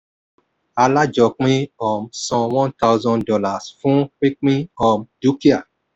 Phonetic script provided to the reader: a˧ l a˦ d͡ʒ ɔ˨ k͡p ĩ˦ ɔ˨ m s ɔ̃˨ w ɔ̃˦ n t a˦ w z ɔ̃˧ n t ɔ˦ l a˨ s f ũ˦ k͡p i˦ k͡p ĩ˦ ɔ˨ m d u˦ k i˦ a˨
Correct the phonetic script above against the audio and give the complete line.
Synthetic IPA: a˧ l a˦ d͡ʒ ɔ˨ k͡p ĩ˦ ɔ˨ m s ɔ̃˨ w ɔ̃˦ n t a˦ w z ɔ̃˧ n d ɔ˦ l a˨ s f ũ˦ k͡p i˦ k͡p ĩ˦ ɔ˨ m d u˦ k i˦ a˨